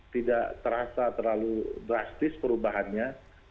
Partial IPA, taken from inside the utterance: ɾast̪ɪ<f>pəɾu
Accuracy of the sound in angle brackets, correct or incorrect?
incorrect